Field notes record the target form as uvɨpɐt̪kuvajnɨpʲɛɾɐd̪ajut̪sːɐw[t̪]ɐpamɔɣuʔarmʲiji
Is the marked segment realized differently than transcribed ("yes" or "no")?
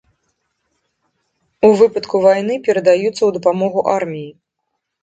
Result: yes